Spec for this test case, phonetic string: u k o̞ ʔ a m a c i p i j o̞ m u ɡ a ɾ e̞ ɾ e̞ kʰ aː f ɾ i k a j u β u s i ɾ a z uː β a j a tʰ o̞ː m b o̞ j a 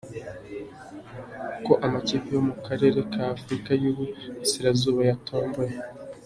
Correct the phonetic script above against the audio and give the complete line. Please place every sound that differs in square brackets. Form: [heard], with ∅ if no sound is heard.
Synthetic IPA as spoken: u k o̞ ʔ a m a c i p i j o̞ m u [k] a ɾ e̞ ɾ e̞ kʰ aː f ɾ i k a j u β u s i ɾ a z uː β a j a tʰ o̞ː m b o̞ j [e]